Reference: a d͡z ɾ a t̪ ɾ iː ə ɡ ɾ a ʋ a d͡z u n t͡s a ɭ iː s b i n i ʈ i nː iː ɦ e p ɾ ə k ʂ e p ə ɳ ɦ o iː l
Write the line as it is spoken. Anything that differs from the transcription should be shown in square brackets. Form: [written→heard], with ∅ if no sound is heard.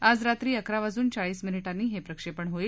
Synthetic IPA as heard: a d͡z ɾ a t̪ ɾ iː ə [ɡ→k] ɾ a ʋ a d͡z [u→uː] n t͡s a ɭ iː s [b→m] i n i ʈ [i→a] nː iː ɦ e p ɾ ə k ʂ e p ə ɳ ɦ o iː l